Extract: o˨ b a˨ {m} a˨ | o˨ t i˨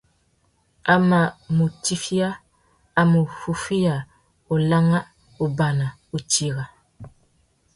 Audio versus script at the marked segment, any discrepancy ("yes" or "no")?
yes